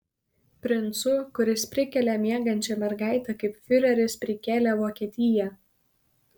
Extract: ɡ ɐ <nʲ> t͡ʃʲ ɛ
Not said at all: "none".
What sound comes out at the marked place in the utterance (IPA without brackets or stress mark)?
nʲ